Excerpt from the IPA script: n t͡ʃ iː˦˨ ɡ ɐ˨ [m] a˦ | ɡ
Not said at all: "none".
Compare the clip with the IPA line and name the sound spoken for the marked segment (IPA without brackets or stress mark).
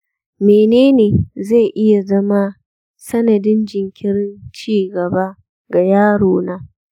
b